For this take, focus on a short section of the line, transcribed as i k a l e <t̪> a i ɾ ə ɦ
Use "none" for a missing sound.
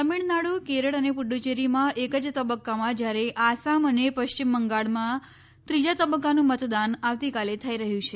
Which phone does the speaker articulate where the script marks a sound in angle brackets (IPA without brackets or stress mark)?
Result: t̪ʰ